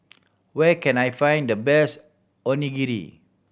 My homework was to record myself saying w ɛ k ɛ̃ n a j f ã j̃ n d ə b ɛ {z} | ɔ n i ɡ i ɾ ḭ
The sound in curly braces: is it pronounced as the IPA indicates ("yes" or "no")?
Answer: no